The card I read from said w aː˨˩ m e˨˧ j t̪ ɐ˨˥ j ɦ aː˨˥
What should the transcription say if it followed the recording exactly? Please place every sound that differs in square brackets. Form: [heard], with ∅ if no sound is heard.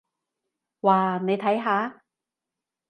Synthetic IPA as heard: w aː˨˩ [n] e˨˧ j [t̪ʰ] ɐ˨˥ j ɦ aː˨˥